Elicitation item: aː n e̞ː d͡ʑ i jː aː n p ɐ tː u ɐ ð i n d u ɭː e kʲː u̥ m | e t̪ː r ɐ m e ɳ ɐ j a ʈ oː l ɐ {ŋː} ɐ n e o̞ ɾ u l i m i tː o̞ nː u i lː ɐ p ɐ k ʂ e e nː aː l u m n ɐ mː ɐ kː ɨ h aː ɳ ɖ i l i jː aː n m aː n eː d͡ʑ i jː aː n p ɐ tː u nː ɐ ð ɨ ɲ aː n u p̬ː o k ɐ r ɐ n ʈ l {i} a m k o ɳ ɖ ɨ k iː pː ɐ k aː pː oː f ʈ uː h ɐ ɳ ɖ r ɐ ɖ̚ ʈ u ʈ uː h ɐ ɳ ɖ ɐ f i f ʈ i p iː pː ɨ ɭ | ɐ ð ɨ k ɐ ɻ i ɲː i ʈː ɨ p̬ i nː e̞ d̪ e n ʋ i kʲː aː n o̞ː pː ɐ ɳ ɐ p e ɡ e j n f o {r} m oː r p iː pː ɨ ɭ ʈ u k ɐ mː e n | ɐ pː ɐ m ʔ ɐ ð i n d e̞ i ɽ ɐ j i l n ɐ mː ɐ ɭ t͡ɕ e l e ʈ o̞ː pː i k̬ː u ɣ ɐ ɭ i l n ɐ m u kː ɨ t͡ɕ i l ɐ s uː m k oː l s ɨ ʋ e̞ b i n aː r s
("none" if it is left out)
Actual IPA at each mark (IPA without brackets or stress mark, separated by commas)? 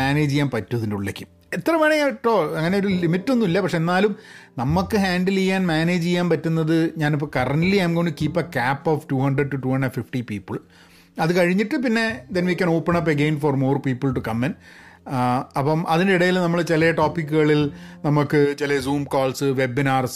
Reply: ŋː, i, r